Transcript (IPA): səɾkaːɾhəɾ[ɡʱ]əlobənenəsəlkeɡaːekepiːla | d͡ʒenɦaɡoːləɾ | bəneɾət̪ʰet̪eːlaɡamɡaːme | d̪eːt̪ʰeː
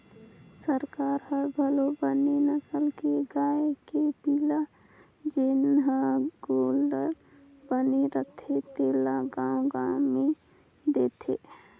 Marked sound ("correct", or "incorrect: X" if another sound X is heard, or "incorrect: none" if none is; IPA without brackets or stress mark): incorrect: bʱ